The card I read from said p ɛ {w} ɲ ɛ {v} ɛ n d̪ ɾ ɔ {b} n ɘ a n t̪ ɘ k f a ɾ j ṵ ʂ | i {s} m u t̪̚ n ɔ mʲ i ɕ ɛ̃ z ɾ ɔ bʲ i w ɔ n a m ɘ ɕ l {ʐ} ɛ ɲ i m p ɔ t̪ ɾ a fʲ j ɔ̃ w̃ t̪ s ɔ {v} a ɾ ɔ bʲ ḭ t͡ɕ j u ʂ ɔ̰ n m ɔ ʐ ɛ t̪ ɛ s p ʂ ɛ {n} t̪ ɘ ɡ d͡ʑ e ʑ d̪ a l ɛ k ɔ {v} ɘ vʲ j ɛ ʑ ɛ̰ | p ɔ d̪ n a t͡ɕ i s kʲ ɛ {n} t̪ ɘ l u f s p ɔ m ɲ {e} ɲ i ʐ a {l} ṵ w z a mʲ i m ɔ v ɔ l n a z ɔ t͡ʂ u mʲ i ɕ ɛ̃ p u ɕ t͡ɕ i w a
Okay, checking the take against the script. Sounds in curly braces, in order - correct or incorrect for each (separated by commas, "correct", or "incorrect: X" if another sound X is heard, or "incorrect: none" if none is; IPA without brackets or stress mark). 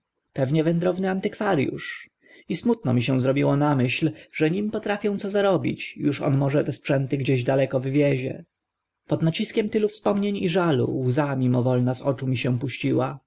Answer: incorrect: v, correct, incorrect: v, correct, correct, incorrect: z, correct, correct, incorrect: m, correct, correct